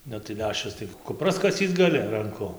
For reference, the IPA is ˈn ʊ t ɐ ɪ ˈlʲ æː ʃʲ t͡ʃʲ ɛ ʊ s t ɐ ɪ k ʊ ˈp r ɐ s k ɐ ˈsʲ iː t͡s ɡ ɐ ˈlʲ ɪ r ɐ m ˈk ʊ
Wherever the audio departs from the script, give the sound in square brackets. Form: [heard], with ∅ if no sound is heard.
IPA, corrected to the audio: ˈn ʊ t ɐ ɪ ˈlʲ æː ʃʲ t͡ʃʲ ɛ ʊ s t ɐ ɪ k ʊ ˈp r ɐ s k ɐ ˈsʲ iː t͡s ɡ ɐ ˈlʲ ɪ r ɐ [ŋ] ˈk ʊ